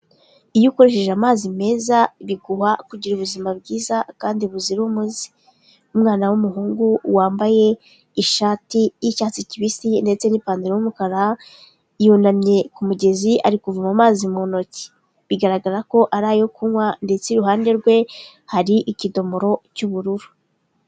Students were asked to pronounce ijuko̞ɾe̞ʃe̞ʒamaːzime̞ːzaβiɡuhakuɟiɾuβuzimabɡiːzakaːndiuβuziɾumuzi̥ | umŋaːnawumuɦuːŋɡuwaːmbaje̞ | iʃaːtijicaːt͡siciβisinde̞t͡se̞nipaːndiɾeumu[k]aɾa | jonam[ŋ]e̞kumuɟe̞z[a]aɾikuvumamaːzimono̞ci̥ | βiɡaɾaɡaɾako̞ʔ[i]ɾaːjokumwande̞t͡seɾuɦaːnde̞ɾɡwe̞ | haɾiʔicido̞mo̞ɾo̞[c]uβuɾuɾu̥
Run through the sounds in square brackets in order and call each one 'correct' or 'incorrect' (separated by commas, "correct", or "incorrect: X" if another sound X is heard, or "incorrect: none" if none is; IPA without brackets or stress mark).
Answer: correct, incorrect: ɲ, incorrect: i, incorrect: a, correct